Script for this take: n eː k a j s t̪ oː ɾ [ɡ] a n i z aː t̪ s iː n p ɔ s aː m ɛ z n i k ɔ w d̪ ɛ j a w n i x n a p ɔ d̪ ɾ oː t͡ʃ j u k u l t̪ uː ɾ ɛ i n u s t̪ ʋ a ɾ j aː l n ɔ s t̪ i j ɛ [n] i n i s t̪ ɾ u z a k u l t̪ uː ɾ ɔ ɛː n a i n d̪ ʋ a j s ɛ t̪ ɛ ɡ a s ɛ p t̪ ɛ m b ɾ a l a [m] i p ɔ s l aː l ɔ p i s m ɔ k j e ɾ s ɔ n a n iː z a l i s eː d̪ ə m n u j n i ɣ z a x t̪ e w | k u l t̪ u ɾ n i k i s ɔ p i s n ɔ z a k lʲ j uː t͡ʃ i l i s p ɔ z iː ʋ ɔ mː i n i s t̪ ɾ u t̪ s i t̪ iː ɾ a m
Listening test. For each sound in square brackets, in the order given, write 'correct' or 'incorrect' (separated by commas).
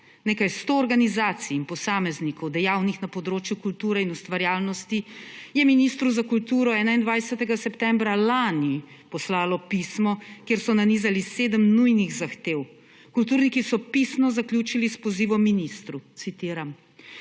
correct, incorrect, incorrect